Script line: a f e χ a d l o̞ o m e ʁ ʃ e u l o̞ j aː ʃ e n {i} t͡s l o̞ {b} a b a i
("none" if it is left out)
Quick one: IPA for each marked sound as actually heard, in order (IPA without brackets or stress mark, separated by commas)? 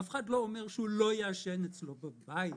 e, b